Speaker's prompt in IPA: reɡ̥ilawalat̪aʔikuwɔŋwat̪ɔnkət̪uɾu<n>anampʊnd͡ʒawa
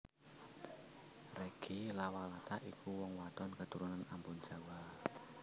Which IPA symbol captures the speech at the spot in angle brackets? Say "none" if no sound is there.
n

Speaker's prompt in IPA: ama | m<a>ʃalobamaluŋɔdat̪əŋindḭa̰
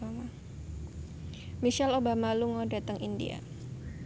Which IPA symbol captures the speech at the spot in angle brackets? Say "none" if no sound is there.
i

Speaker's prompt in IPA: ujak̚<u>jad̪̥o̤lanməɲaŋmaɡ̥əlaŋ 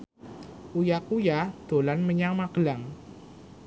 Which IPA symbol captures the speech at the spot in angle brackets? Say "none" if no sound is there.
u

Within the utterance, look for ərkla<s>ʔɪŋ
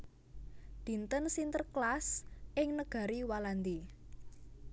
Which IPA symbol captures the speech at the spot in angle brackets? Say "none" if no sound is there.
s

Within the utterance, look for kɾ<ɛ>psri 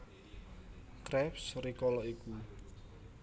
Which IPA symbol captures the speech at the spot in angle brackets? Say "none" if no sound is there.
ɛ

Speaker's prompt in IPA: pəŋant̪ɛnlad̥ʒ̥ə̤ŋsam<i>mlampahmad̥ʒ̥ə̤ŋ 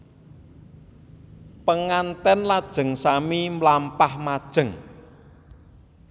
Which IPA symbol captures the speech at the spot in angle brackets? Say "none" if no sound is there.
i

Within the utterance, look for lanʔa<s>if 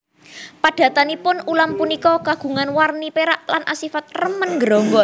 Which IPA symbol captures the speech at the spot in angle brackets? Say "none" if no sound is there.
s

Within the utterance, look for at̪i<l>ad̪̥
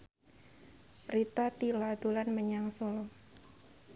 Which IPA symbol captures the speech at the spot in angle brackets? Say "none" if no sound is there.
l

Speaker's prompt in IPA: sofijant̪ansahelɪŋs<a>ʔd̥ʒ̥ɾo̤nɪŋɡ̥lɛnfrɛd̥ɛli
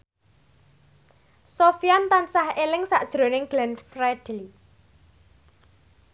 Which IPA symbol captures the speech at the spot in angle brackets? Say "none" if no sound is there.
a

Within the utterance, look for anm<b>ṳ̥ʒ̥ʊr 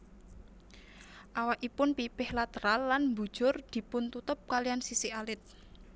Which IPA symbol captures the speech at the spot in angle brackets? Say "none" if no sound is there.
b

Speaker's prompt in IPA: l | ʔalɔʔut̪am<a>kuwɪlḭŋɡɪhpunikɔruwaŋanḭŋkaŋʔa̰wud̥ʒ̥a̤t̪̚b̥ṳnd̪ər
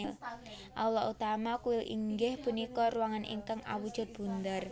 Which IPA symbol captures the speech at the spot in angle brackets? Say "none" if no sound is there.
a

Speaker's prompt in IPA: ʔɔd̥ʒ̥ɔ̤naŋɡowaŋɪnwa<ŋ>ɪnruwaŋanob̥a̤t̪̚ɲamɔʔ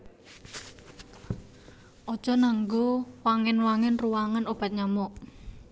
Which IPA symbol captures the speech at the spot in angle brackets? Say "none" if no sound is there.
ŋ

